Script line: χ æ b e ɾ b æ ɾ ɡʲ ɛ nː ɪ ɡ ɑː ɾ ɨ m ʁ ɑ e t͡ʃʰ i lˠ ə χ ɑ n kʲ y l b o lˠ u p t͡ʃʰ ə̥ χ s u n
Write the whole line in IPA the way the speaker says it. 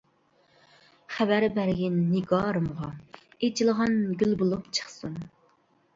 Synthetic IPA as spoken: χ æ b æ ɾ b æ ɾ ɡʲ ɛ nː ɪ ɡ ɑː ɾ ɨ m ʁ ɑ e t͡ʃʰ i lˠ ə ʁ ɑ n ɡʲ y l b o lˠ u p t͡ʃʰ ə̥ χ s u n